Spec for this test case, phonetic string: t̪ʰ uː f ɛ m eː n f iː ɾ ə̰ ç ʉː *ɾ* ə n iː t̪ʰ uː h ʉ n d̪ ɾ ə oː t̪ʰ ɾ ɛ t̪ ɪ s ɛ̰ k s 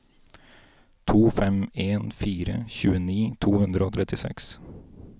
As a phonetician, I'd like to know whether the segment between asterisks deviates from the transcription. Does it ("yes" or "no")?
yes